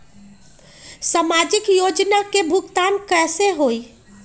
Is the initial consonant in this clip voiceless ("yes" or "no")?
yes